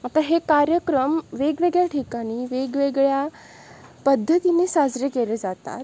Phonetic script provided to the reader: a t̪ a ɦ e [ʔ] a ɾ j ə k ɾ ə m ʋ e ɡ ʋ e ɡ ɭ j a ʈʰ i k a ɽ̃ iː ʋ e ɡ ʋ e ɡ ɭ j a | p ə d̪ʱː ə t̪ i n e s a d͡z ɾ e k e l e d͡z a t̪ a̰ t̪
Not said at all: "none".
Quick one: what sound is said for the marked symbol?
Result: k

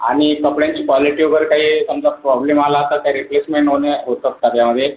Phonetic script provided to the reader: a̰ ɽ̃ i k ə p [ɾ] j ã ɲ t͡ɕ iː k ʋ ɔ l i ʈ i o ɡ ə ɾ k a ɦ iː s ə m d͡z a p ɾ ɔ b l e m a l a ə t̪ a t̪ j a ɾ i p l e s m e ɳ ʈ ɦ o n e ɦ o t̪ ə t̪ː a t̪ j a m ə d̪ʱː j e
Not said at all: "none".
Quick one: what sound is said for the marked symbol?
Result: ɽ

